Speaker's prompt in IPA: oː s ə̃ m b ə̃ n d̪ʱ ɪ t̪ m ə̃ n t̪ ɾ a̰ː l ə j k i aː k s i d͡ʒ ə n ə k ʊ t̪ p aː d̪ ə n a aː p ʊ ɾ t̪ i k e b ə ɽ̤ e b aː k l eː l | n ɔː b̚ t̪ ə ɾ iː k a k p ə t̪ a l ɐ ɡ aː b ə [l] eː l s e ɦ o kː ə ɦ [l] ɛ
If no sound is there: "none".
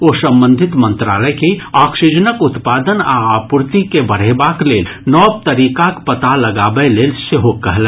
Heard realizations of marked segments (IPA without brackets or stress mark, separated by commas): l, l